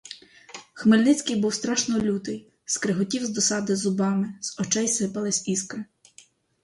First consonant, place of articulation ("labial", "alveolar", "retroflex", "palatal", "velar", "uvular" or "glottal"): velar